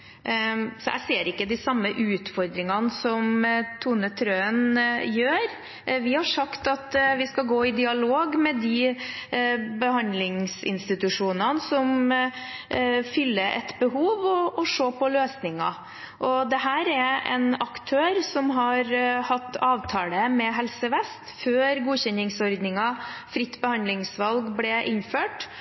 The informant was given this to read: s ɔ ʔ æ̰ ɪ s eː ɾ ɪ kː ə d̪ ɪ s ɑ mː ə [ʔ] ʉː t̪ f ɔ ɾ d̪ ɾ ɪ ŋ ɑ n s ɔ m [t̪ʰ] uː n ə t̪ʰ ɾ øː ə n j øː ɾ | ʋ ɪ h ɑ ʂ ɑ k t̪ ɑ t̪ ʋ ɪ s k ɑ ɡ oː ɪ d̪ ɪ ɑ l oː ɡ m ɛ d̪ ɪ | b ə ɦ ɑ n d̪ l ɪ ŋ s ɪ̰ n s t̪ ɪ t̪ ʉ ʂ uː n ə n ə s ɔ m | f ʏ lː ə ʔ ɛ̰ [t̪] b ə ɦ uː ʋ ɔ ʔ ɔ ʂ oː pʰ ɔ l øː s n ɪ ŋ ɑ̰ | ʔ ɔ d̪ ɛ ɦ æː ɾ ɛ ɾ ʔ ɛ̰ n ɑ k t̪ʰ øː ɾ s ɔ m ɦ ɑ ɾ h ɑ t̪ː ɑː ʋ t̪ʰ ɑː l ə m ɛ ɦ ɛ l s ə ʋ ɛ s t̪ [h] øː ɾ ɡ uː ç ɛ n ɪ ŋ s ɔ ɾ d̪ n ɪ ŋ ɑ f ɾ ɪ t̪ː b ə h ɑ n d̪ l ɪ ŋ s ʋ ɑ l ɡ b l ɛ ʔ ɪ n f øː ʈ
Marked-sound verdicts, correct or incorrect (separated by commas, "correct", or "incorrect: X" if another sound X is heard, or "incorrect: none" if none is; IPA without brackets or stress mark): correct, correct, correct, incorrect: f